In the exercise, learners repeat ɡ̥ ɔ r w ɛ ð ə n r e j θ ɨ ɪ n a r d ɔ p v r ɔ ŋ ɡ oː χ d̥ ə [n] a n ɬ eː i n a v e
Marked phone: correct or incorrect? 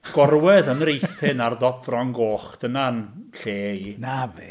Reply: correct